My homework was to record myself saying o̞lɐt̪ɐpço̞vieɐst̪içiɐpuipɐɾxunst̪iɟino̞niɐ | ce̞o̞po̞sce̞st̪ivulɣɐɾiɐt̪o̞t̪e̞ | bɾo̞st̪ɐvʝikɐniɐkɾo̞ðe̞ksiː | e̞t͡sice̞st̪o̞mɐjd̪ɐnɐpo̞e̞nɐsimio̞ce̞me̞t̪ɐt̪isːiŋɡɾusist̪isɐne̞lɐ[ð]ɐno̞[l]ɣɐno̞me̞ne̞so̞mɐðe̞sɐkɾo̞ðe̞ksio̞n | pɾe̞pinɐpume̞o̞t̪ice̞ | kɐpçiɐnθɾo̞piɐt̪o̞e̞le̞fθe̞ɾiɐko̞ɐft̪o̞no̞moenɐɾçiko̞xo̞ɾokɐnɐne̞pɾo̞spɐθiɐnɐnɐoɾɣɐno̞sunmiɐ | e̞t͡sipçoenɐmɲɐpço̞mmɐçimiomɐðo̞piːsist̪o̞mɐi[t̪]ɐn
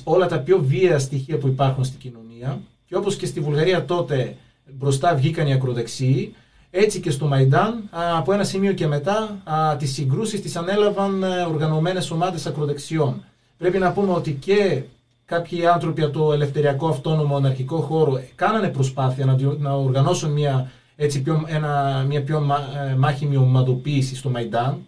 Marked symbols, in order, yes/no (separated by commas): no, no, no